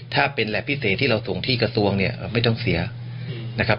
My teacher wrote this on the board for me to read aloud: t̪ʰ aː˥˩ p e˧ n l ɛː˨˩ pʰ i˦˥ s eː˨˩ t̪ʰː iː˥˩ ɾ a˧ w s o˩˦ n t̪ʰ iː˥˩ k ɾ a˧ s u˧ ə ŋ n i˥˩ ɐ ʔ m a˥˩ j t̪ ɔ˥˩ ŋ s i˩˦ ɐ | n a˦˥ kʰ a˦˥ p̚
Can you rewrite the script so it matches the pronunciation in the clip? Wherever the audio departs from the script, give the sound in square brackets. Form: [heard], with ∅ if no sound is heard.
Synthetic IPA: t̪ʰ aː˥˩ p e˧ n l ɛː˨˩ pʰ i˦˥ s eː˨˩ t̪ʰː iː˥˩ ɾ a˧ w s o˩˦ [ŋ] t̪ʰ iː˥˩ k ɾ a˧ s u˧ ə ŋ n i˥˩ ɐ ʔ m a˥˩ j t̪ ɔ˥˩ ŋ s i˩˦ ɐ | n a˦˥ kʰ a˦˥ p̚